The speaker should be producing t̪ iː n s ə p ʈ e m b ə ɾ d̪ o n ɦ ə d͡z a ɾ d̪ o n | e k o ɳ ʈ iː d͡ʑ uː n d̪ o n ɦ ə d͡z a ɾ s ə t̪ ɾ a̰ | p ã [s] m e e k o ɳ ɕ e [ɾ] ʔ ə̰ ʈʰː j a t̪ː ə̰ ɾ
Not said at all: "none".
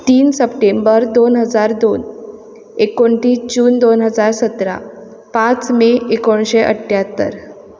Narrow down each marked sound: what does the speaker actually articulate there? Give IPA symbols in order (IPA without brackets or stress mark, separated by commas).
t͡s, none